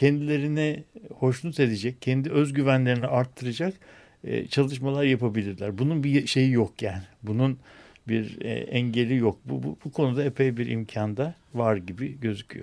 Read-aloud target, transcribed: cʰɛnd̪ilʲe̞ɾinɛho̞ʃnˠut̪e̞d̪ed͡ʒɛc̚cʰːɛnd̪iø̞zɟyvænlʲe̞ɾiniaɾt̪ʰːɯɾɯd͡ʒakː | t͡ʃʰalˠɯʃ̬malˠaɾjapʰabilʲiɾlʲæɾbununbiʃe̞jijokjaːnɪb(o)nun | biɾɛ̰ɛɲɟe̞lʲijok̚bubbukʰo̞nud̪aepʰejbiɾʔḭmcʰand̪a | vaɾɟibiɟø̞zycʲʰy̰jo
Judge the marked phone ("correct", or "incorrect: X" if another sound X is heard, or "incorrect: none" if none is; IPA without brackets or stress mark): incorrect: u